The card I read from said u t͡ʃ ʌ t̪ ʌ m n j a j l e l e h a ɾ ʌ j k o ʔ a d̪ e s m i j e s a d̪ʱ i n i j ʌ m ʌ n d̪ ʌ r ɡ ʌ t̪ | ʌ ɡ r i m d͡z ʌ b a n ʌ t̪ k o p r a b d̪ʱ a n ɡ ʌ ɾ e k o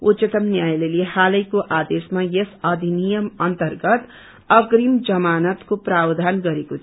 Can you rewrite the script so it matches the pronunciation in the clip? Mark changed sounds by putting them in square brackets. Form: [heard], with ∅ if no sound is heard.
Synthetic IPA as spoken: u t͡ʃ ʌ t̪ ʌ m n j a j l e l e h a [l] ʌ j k o ʔ a d̪ e s m [a] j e s [ʌ] d̪ʱ i n i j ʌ m ʌ n [t̪] ʌ r ɡ ʌ t̪ | ʌ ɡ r i m d͡z ʌ [m] a n ʌ t̪ k o p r a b d̪ʱ a n ɡ ʌ ɾ e k o